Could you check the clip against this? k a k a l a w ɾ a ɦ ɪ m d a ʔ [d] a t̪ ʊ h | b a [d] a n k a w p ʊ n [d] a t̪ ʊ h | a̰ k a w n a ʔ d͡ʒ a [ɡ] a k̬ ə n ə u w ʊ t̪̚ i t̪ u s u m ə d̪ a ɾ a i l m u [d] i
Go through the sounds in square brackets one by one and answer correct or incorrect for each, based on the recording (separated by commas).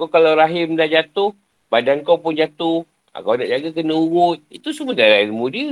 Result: incorrect, correct, incorrect, correct, correct